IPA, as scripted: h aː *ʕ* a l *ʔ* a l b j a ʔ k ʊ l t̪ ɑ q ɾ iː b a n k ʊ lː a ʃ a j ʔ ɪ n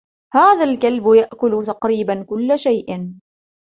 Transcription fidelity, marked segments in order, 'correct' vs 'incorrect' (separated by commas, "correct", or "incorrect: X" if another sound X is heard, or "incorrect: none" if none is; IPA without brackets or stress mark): incorrect: ð, incorrect: k